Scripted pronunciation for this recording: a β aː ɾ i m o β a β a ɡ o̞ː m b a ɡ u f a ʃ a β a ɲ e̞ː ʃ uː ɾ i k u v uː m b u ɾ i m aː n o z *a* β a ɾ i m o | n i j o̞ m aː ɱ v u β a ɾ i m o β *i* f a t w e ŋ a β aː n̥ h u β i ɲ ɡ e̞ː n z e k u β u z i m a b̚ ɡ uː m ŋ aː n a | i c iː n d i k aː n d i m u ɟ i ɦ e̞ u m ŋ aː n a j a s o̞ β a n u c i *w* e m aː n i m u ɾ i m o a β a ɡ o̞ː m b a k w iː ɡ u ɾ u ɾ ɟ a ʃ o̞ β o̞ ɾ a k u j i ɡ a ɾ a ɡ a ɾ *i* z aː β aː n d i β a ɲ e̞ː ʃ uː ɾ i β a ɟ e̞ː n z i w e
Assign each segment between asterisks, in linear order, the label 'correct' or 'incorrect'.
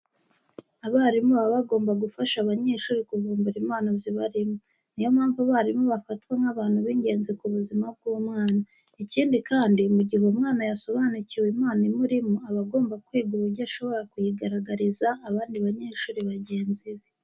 incorrect, incorrect, correct, correct

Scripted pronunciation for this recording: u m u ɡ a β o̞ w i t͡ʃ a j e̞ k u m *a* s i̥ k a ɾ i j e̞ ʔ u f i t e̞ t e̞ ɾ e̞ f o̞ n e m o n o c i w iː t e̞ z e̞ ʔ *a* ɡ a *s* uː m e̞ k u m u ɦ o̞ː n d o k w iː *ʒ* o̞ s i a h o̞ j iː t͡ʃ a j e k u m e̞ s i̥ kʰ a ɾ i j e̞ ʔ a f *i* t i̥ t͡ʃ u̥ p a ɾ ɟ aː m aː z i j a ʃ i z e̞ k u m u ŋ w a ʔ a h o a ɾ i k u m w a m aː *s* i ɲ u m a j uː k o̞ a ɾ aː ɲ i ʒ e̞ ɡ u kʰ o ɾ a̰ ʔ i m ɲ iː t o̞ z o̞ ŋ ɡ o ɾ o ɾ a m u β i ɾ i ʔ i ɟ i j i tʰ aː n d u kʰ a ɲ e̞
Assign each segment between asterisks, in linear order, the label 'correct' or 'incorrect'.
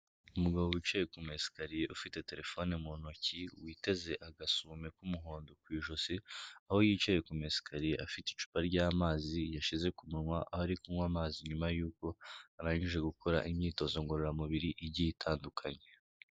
incorrect, correct, correct, correct, correct, incorrect

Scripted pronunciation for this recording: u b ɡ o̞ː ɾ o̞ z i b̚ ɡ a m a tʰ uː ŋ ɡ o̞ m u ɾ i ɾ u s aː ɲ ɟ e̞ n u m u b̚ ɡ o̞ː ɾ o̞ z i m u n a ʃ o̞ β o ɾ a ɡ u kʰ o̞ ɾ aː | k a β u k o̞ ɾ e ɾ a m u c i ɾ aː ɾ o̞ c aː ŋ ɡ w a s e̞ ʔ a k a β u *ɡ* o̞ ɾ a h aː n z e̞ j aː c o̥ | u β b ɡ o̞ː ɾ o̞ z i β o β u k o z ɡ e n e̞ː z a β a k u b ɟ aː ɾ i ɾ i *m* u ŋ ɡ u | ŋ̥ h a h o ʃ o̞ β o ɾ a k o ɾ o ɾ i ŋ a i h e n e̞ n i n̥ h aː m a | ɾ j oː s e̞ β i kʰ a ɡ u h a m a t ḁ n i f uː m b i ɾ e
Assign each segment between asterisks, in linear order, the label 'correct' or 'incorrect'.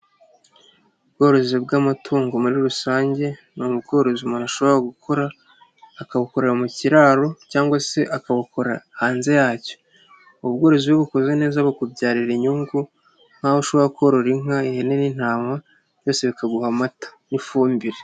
incorrect, incorrect

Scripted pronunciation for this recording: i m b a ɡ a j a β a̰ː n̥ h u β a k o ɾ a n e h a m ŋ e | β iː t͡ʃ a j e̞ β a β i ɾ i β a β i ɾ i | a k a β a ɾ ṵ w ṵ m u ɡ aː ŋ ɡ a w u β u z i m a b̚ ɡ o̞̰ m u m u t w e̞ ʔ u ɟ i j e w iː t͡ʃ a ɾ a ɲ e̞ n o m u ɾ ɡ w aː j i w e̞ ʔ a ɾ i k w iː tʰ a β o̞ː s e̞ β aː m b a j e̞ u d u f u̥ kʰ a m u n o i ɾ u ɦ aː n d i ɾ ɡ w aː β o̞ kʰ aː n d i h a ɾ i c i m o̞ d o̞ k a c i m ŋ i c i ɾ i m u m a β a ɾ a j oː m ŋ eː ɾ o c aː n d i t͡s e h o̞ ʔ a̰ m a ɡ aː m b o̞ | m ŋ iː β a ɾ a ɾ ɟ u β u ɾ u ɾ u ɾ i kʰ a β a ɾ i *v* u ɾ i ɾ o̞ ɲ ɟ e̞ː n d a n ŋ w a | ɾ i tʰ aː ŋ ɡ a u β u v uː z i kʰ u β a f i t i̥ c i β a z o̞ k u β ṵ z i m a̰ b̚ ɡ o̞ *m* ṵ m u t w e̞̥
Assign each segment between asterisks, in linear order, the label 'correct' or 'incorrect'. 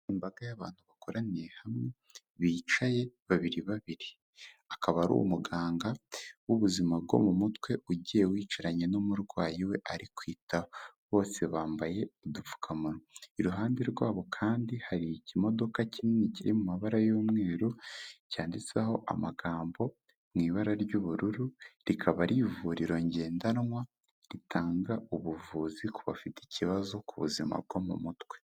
correct, correct

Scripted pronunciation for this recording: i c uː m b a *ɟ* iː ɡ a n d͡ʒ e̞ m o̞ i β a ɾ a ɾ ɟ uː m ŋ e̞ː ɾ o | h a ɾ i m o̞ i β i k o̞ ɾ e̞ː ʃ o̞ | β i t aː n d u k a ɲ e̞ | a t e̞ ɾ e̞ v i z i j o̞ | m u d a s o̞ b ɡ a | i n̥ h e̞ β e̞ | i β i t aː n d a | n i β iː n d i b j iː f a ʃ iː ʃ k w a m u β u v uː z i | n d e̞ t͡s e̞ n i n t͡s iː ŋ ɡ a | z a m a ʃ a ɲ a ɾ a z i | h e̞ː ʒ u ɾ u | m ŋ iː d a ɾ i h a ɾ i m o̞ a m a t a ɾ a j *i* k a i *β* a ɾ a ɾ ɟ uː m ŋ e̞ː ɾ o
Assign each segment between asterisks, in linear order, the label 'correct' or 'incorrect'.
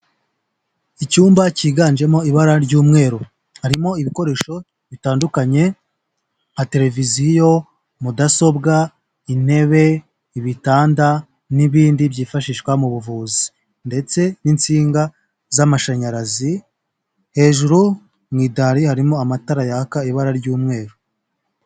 incorrect, incorrect, correct

